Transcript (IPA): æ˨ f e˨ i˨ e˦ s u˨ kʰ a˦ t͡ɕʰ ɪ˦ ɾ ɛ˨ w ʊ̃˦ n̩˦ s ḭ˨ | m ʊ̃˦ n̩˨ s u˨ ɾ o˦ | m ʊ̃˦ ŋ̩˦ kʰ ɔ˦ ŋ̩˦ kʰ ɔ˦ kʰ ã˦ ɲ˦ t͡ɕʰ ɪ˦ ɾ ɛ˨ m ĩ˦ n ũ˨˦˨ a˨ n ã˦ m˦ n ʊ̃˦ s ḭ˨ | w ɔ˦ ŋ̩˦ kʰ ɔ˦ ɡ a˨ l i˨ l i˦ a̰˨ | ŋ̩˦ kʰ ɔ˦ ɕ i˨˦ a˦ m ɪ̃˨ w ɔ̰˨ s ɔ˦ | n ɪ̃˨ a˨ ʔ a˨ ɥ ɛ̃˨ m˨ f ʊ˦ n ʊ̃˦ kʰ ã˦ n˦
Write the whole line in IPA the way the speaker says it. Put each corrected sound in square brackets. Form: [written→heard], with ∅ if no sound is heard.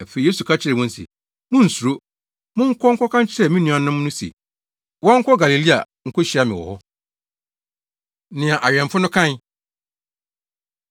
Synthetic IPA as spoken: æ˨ f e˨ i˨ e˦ s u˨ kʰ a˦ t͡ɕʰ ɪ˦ ɾ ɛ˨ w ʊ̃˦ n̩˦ s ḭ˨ | m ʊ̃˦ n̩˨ s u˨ ɾ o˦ | m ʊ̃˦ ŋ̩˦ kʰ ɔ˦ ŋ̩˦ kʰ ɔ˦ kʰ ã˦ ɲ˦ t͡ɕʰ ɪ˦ ɾ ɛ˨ m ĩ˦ n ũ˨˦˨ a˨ n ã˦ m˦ n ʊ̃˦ s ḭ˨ | w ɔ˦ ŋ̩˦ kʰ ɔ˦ ɡ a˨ l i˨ l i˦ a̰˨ | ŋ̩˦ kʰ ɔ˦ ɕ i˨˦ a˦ m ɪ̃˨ w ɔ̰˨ [s→h] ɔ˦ | n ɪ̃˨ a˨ ʔ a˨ ɥ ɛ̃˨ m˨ f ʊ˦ n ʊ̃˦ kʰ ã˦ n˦

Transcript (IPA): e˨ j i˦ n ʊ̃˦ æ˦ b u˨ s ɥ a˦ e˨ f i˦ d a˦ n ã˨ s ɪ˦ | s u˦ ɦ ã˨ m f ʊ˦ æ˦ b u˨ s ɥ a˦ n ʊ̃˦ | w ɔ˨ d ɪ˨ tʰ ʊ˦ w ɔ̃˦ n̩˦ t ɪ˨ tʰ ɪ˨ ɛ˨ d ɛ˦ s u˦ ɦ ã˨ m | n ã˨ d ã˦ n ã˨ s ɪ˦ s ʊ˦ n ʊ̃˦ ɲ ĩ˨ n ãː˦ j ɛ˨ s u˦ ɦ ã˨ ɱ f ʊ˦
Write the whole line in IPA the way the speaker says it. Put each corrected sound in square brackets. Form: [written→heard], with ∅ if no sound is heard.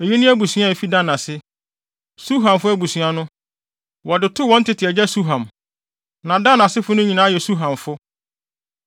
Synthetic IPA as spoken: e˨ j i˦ n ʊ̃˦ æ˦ b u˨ s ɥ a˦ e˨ f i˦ d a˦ n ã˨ s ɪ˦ | s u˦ ɦ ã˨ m f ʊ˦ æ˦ b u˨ s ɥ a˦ n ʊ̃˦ | w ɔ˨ d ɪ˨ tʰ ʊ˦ w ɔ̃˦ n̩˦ t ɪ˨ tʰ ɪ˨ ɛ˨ [d→d͡ʑ] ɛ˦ s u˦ ɦ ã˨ m | n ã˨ d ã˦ n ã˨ s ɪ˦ [s→f] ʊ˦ n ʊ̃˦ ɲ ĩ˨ n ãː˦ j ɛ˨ s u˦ ɦ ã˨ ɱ f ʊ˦

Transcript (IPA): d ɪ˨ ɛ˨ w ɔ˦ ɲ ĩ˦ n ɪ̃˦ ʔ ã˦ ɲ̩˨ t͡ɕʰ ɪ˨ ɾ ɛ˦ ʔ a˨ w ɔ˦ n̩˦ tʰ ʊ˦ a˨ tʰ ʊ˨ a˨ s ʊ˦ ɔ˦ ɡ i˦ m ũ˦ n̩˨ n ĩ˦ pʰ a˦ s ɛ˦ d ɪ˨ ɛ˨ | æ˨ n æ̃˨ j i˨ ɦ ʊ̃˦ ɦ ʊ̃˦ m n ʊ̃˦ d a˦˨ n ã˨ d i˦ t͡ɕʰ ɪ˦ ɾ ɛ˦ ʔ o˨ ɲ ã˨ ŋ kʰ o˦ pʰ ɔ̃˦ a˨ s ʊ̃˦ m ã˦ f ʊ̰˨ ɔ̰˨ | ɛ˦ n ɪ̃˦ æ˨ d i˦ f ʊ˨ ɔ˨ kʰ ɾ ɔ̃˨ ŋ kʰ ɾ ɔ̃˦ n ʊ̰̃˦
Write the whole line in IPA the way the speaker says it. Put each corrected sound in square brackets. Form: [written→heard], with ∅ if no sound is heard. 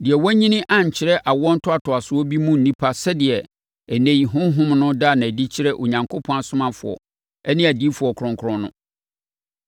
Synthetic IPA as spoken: d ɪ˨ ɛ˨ w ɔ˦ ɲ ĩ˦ n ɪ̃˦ ʔ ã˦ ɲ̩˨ t͡ɕʰ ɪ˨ ɾ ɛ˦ ʔ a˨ w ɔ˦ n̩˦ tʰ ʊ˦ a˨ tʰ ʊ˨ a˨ s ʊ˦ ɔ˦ [ɡ→b] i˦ m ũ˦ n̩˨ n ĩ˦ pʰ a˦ s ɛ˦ d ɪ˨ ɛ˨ | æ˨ n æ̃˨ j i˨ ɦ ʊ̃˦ ɦ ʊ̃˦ m n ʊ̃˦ d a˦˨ n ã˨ d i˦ t͡ɕʰ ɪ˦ ɾ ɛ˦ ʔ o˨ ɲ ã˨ ŋ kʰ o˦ pʰ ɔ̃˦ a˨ s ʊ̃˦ m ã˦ f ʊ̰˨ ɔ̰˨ | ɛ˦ n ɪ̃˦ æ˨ d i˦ f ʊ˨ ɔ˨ kʰ ɾ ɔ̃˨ ŋ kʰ ɾ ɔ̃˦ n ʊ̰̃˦

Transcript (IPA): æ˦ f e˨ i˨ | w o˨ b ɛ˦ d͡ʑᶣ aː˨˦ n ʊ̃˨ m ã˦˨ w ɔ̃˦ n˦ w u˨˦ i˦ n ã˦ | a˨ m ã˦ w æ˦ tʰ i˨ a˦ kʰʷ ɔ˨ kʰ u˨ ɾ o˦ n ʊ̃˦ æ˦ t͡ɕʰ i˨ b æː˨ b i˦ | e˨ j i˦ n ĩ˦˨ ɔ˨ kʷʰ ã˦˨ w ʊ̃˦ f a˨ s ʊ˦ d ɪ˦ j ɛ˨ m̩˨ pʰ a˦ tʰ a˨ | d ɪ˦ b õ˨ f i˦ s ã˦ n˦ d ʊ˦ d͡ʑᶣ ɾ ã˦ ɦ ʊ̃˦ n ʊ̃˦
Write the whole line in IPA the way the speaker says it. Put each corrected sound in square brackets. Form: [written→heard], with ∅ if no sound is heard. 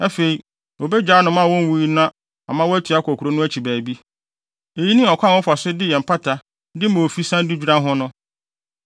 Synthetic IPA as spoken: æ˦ f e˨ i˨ | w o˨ b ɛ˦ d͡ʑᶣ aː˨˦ n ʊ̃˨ m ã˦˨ w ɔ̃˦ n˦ w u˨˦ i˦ n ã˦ | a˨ m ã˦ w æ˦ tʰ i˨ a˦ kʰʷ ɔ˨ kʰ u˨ ɾ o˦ n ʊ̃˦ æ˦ t͡ɕʰ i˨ b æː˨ b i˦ | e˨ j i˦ n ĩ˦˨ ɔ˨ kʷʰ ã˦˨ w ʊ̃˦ f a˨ s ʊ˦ d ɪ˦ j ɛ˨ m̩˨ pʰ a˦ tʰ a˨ | d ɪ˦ [b→m] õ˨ f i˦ s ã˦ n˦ d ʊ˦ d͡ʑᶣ ɾ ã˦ ɦ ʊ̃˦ n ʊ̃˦

